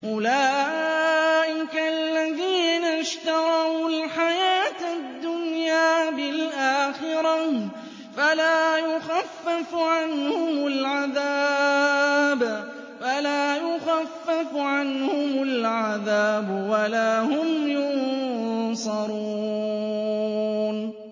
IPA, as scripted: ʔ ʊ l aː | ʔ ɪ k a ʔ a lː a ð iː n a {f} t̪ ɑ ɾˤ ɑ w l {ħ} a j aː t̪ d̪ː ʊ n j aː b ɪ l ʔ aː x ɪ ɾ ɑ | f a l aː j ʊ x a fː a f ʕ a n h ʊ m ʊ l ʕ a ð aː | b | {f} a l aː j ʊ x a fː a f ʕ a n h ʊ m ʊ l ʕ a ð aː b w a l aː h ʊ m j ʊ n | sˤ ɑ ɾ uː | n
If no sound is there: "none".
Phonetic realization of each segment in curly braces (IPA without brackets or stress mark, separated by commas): ʃ, ħ, f